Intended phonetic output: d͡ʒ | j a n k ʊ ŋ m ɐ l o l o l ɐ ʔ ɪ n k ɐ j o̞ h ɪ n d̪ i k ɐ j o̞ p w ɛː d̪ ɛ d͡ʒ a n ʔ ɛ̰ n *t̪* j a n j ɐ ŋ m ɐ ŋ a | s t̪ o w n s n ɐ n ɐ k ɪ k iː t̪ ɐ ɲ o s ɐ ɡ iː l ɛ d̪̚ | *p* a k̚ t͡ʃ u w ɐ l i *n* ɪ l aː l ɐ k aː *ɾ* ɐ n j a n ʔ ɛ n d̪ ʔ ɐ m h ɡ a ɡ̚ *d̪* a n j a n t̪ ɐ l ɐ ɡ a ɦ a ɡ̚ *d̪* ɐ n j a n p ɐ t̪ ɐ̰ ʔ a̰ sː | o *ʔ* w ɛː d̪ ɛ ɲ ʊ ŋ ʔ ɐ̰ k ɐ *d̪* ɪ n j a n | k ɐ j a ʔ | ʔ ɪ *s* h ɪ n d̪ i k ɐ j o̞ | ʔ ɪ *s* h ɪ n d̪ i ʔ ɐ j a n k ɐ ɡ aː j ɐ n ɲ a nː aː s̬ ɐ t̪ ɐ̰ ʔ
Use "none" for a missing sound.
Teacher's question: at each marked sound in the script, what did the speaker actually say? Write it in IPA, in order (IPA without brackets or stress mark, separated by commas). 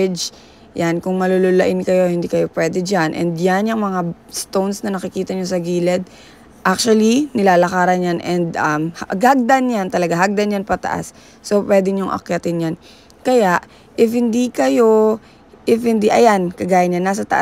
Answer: d̪, ʔ, n, ɾ, d̪, d̪, p, t̪, f, f